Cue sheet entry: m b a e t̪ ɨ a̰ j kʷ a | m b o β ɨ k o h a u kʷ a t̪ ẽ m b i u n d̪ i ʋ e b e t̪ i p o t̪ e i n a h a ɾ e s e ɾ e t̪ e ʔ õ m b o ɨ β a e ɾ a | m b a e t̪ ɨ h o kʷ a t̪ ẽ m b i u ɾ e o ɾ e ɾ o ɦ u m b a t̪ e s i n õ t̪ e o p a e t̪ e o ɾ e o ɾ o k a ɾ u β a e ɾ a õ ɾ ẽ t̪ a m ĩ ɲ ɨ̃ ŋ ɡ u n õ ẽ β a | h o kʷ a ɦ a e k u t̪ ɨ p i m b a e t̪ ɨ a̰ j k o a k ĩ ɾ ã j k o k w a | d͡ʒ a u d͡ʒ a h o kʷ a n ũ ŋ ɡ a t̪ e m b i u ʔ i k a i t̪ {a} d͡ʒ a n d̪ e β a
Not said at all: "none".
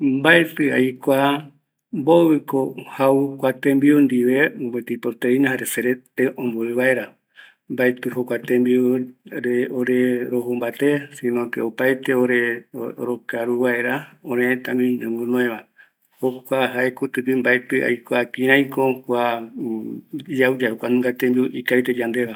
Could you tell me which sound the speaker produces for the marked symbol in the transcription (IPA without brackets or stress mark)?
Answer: e